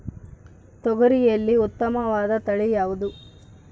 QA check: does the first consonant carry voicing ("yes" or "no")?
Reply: no